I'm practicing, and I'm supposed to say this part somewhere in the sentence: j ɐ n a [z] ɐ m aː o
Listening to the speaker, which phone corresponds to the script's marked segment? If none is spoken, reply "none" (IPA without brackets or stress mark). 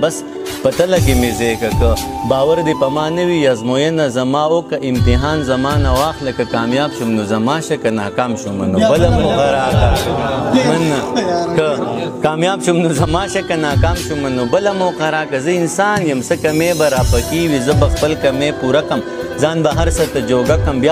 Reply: z